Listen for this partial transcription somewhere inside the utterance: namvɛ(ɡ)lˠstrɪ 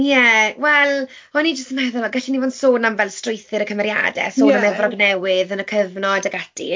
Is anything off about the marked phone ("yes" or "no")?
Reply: yes